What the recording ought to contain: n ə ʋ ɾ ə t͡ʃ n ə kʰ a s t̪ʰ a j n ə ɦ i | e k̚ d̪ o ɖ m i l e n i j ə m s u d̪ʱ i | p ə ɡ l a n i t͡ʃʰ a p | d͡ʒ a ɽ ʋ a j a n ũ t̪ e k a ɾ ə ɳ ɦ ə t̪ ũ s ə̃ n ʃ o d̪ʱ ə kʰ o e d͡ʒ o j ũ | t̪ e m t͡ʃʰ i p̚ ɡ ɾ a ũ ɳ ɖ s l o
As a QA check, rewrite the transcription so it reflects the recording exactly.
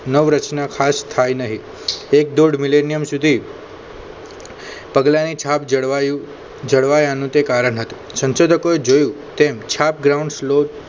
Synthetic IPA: n ə ʋ ɾ ə t͡ʃ n a kʰ a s t̪ʰ a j n ə ɦ i | e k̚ d̪ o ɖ m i l e n i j ə m s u d̪ʱ i | p ə ɡ l a n i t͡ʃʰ a p | d͡ʒ ə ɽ ʋ a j a n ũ t̪ e k a ɾ ə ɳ ɦ ə t̪ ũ s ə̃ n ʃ o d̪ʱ ə k o e d͡ʒ o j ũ | t̪ e m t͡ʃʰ a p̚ ɡ ɾ a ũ ɳ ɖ s l o